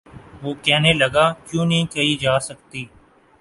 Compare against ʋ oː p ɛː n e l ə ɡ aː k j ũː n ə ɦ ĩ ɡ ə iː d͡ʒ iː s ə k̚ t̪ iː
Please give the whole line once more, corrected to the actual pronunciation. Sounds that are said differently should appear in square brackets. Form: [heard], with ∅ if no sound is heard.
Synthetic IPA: ʋ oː [k] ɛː n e l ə ɡ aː k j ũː n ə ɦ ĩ [k] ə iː d͡ʒ [aː] s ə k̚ t̪ iː